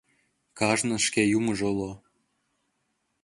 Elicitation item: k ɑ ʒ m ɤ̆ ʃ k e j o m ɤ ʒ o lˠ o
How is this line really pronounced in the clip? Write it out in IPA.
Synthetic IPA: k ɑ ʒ n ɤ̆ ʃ k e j u m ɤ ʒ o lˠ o